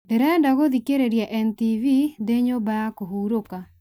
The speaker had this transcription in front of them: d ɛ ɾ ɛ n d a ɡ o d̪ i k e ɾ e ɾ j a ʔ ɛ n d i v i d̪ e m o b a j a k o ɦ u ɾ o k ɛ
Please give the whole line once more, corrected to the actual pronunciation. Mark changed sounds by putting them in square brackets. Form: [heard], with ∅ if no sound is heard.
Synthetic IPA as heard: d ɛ ɾ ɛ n d a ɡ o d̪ i k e ɾ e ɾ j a ʔ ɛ n [t] i v i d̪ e [ɲ] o b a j a k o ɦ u ɾ o k [a]